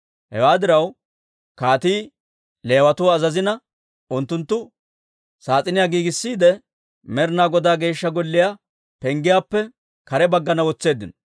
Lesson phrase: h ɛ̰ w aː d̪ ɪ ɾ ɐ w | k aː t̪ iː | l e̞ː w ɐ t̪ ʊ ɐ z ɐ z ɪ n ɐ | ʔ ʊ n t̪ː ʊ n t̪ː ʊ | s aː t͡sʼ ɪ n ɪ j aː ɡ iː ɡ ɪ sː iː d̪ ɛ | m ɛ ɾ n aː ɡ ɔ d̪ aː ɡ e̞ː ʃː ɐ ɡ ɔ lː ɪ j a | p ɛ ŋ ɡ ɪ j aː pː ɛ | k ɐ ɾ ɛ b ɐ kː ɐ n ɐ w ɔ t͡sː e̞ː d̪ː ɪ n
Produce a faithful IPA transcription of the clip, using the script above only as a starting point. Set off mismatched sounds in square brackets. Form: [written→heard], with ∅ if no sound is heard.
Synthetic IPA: h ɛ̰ w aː d̪ ɪ ɾ ɐ w | k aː t̪ iː | l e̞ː w ɐ t̪ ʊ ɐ z ɐ z ɪ n ɐ | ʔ ʊ n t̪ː ʊ n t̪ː ʊ | s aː t͡sʼ ɪ n ɪ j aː ɡ iː ɡ ɪ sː iː d̪ ɛ | m ɛ ɾ n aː ɡ ɔ d̪ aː ɡ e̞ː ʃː ɐ ɡ ɔ lː ɪ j a | p ɛ ŋ ɡ ɪ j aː pː ɛ | k ɐ ɾ ɛ b ɐ [kː→ɡː] ɐ n ɐ w ɔ t͡sː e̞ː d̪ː ɪ n